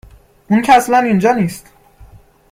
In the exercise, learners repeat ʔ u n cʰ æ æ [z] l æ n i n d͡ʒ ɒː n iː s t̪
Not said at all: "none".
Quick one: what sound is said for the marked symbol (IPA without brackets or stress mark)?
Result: s